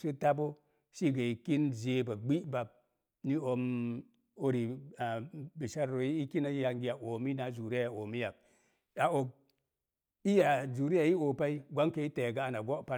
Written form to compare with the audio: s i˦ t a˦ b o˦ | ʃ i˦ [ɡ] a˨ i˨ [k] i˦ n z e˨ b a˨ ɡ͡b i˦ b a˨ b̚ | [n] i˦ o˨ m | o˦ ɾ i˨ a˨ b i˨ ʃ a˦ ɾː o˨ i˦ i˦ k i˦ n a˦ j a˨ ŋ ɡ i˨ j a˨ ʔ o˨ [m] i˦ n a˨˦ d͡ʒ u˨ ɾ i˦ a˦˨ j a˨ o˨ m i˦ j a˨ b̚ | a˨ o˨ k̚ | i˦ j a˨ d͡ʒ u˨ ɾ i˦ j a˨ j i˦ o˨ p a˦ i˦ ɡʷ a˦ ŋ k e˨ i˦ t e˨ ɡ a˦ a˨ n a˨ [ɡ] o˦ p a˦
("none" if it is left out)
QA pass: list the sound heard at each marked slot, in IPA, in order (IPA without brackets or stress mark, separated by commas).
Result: ɡ, k, n, m, ɡ